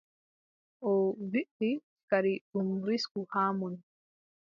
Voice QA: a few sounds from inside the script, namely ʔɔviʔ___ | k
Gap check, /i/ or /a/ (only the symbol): i